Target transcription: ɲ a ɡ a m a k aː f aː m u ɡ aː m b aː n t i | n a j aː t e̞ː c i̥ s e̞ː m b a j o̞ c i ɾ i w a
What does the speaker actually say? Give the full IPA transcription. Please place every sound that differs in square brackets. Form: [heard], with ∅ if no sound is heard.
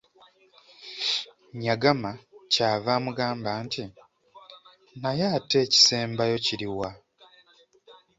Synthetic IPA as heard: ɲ a ɡ a m a [c] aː [v] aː m u ɡ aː m b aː n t i | n a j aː t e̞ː c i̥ s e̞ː m b a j o̞ c i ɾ i w a

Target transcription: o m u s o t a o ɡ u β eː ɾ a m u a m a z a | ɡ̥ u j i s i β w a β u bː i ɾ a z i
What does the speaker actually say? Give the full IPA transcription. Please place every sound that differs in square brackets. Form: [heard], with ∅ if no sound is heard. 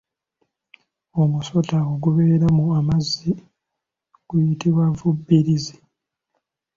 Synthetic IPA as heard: o m u s o t a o ɡ u β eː ɾ a m u a m a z [i] | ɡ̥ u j i [t] i β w a [v] u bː i ɾ [i] z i

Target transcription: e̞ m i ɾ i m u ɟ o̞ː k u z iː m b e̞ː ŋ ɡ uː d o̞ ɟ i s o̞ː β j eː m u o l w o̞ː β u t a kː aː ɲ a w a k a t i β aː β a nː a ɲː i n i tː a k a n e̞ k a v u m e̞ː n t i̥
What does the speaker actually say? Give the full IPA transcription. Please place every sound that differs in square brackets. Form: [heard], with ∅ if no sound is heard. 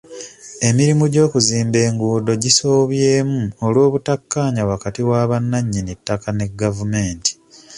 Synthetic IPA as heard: e̞ m i ɾ i m u ɟ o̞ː k u z iː m b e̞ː ŋ ɡ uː d o̞ ɟ i s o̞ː β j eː m u o l w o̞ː β u t a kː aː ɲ a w a k a t i [w] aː β a nː a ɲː i n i tː a k a n e̞ [ɡ] a v u m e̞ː n t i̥

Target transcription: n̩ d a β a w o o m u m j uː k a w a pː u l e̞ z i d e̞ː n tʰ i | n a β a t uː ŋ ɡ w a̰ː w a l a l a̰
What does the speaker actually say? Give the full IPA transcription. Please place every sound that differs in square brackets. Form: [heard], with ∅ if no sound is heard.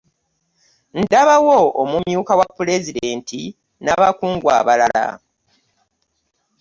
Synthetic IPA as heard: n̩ d a β a w o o m u m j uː k a w a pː u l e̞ z i d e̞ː n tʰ i | n a β a [k] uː ŋ ɡ w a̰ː [β] a l a l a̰

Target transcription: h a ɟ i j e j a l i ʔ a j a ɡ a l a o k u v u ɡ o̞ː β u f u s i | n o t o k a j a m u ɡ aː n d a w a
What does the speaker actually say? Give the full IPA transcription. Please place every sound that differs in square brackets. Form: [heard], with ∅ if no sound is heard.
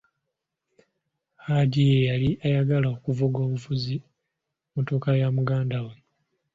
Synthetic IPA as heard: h a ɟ i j e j a l i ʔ a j a ɡ a l a o k u v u ɡ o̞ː β u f u [z] i | [m] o t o k a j a m u ɡ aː n d a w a

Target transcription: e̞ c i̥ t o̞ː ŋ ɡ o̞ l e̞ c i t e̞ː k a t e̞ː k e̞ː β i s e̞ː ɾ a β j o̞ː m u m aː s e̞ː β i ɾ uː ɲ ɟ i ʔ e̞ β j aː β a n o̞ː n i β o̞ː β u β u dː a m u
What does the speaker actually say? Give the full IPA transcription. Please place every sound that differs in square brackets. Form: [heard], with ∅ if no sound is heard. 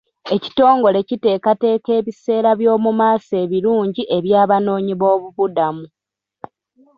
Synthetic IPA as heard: e̞ c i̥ t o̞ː ŋ ɡ o̞ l e̞ c i t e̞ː k a t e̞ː k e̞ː β i s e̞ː ɾ a β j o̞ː m u m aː s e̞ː β i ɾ uː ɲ ɟ i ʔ e̞ β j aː β a n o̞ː [ɲ] i β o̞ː β u β u [d] a m u

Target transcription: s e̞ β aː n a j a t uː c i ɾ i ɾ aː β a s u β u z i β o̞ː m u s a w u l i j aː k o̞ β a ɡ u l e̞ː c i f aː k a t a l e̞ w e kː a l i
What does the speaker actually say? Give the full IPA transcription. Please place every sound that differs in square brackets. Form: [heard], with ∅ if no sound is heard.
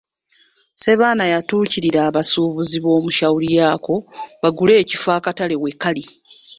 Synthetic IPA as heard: s e̞ β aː n a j a t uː c i ɾ i ɾ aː β a s u β u z i β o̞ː m u [ʃ] a w u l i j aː k o̞ β a ɡ u l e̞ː c i f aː k a t a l e̞ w e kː a l i

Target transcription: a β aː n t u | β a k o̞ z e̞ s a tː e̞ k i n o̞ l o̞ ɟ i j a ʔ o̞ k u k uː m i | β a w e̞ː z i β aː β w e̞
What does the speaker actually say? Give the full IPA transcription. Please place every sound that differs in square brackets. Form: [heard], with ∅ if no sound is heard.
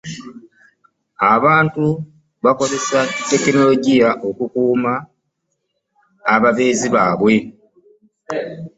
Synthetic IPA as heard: a β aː n t u | β a k o̞ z e̞ s a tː e̞ k i n o̞ l o̞ ɟ i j a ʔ o̞ k u k uː m [a] | β a [β] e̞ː z i β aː β w e̞

